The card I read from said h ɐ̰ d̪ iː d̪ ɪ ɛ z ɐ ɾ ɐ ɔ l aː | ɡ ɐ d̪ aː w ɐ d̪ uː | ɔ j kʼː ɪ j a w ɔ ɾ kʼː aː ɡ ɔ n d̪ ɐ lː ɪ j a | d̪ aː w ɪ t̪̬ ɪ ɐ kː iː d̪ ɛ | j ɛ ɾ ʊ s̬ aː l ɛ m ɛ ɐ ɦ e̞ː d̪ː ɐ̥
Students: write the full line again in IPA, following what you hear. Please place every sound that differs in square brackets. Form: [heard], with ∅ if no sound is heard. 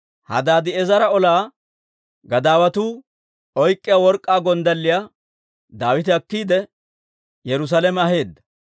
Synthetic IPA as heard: h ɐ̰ d̪ [aː] d̪ ɪ ɛ z ɐ ɾ ɐ ɔ l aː | ɡ ɐ d̪ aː w ɐ [t̪] uː | ɔ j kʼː ɪ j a w ɔ ɾ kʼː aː ɡ ɔ n d̪ ɐ lː ɪ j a | d̪ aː w ɪ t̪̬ ɪ ɐ kː iː d̪ ɛ | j ɛ ɾ ʊ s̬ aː l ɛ m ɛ ɐ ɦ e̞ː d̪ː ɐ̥

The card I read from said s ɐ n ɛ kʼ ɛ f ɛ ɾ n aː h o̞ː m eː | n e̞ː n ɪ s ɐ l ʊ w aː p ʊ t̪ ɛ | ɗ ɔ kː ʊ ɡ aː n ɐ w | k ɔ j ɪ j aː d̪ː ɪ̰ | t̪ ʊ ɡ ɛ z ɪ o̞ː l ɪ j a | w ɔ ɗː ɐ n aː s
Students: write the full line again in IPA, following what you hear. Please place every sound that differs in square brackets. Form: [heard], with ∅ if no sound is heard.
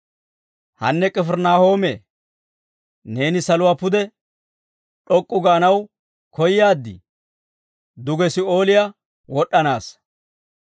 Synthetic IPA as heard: [h] ɐ [nː] ɛ kʼ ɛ f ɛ ɾ n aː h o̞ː m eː | n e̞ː n ɪ s ɐ l ʊ w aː p ʊ [d̪] ɛ | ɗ ɔ [kʼː] ʊ ɡ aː n ɐ w | k ɔ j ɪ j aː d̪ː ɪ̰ | [d̪] ʊ ɡ ɛ [s] ɪ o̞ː l ɪ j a | w ɔ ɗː ɐ n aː s

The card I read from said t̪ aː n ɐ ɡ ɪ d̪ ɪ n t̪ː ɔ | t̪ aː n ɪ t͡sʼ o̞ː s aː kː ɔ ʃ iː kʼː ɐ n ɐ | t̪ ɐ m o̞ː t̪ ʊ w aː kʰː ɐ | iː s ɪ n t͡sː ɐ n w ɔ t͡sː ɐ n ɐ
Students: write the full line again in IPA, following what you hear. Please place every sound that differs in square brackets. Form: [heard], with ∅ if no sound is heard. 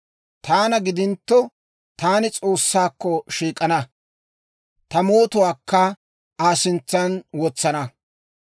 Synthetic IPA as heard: t̪ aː n ɐ ɡ ɪ d̪ ɪ n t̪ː ɔ | t̪ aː n ɪ t͡sʼ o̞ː [sː] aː kː ɔ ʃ iː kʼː ɐ n ɐ | t̪ ɐ m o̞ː t̪ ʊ w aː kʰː ɐ | [aː] s ɪ n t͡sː ɐ n w ɔ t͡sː ɐ n ɐ

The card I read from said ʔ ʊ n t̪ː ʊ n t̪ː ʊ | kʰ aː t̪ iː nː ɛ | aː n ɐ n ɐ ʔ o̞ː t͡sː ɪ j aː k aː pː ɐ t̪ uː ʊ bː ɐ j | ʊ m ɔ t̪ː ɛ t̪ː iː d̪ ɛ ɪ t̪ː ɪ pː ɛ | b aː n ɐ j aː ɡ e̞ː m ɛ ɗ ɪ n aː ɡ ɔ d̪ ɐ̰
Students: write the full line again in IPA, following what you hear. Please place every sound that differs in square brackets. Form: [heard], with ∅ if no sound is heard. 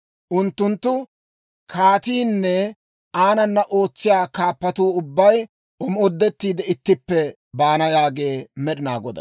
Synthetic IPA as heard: ʔ ʊ n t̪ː ʊ n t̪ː ʊ | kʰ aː t̪ iː nː ɛ | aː n ɐ [nː] ɐ ʔ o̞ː t͡sː ɪ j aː k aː pː ɐ t̪ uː ʊ bː ɐ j | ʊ m ɔ [d̪ː] ɛ t̪ː iː d̪ ɛ ɪ t̪ː ɪ pː ɛ | b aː n ɐ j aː ɡ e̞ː m ɛ ɗ ɪ n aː ɡ ɔ d̪ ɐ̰

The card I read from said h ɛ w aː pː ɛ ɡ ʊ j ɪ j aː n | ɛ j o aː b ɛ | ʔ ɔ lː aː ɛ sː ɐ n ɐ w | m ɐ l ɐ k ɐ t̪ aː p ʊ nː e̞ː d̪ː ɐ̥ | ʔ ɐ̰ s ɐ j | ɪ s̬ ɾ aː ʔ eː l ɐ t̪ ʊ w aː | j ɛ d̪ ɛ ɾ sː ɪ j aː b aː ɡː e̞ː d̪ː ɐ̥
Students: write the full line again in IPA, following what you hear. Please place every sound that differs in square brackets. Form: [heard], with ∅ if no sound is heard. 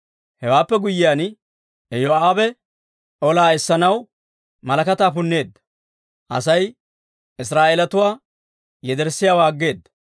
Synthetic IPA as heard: h ɛ w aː pː ɛ ɡ ʊ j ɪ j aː n | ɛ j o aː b ɛ | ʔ ɔ [l] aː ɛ sː ɐ n ɐ w | m ɐ l ɐ k ɐ t̪ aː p ʊ nː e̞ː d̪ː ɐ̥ | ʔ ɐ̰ s ɐ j | ɪ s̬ ɾ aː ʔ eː l ɐ t̪ ʊ w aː | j ɛ d̪ ɛ ɾ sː ɪ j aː [w] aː ɡː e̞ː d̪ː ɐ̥

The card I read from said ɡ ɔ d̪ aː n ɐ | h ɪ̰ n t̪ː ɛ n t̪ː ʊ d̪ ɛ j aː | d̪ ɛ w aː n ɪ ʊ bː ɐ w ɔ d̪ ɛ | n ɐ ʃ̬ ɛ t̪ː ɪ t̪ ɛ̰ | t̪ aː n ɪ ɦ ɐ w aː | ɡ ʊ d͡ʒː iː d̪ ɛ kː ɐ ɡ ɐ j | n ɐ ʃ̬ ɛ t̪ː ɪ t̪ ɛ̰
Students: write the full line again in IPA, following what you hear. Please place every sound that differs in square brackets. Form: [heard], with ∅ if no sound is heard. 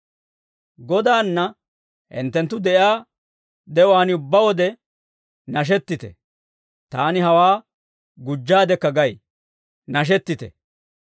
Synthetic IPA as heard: ɡ ɔ d̪ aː [nː] ɐ | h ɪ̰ n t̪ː ɛ n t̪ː ʊ d̪ ɛ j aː | d̪ ɛ w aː n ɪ ʊ bː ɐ w ɔ d̪ ɛ | n ɐ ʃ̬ ɛ t̪ː ɪ t̪ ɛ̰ | t̪ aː n ɪ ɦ ɐ w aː | ɡ ʊ d͡ʒː [aː] d̪ ɛ kː ɐ ɡ ɐ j | n ɐ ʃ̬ ɛ t̪ː ɪ t̪ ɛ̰

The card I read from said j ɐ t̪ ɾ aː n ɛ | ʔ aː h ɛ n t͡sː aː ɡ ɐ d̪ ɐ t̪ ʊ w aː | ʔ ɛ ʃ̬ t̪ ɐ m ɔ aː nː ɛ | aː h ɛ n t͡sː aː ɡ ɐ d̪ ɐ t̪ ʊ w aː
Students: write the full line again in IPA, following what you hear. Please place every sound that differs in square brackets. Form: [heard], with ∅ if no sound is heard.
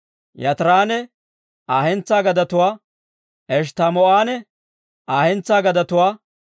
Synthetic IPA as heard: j ɐ t̪ ɾ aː n ɛ | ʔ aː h ɛ n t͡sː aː ɡ ɐ d̪ ɐ t̪ ʊ w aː | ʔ ɛ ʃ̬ t̪ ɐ m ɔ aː [n] ɛ | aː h ɛ n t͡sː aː ɡ ɐ d̪ ɐ t̪ ʊ w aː

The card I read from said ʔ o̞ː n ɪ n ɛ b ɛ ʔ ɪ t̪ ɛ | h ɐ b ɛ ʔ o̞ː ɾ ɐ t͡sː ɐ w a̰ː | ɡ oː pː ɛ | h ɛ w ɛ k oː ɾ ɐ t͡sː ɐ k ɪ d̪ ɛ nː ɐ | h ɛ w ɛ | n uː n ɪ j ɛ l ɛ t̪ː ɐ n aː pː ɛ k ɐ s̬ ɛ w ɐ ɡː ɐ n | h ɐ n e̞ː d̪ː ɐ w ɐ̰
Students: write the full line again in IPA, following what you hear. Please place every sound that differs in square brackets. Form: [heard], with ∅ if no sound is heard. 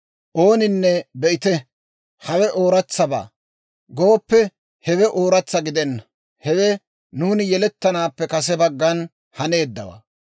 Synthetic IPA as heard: ʔ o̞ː n ɪ [nː] ɛ b ɛ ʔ ɪ t̪ ɛ | h ɐ [w] ɛ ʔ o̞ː ɾ ɐ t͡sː ɐ [b] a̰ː | ɡ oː pː ɛ | h ɛ w ɛ [ʔ] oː ɾ ɐ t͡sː ɐ [ɡ] ɪ d̪ ɛ nː ɐ | h ɛ w ɛ | n uː n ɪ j ɛ l ɛ t̪ː ɐ n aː pː ɛ k ɐ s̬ ɛ [b] ɐ ɡː ɐ n | h ɐ n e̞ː d̪ː ɐ w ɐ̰

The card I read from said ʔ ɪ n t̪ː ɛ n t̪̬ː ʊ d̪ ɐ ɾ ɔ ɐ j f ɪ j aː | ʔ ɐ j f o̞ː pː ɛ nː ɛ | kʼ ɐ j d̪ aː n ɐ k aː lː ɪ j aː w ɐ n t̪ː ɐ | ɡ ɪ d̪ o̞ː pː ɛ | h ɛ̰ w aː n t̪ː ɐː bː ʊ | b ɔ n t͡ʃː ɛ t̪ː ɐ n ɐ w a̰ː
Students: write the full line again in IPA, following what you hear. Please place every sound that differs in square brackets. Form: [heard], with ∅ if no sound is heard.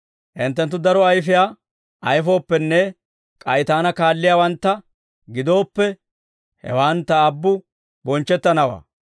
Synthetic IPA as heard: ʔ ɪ n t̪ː ɛ n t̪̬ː ʊ d̪ ɐ ɾ ɔ ɐ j f ɪ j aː | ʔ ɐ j f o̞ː pː ɛ nː ɛ | kʼ ɐ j [t̪] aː n ɐ k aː lː ɪ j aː w ɐ n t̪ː ɐ | ɡ ɪ d̪ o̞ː pː ɛ | h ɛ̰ w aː n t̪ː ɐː bː ʊ | b ɔ n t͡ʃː ɛ t̪ː ɐ n ɐ w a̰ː

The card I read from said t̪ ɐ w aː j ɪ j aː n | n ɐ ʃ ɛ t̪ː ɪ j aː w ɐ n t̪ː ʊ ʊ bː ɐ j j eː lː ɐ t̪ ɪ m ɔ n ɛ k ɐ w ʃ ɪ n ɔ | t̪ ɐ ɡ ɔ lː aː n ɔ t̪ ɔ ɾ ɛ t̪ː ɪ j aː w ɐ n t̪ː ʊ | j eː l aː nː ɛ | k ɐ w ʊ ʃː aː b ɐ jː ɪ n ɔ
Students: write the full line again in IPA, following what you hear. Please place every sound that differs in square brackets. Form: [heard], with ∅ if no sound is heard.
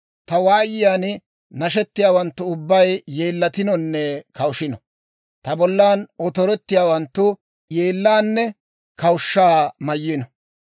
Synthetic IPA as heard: t̪ ɐ w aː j ɪ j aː n | n ɐ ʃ ɛ t̪ː ɪ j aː w ɐ n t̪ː ʊ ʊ bː ɐ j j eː lː ɐ t̪ ɪ [n] ɔ [nː] ɛ k ɐ w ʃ ɪ n ɔ | t̪ ɐ [b] ɔ lː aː n ɔ t̪ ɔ ɾ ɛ t̪ː ɪ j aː w ɐ n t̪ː ʊ | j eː [lː] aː nː ɛ | k ɐ w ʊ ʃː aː [m] ɐ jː ɪ n ɔ

